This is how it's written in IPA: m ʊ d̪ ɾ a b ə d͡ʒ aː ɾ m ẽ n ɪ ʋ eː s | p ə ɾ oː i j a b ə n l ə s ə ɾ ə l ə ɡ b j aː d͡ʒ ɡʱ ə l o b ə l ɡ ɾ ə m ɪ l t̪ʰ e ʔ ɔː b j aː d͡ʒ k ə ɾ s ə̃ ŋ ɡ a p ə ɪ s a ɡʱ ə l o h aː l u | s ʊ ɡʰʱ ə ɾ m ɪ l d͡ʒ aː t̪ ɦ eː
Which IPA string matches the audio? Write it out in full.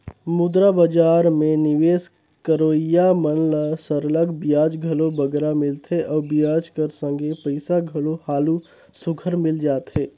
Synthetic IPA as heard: m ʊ d̪ ɾ a b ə d͡ʒ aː ɾ m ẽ n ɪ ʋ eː s | k ə ɾ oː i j a m ə n l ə s ə ɾ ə l ə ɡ b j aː d͡ʒ ɡʱ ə l o b ə ɡ ɾ a m ɪ l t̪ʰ e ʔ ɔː b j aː d͡ʒ k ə ɾ s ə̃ ŋ ɡ e p ə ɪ s a ɡʱ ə l o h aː l u | s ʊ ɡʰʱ ə ɾ m ɪ l d͡ʒ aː t̪ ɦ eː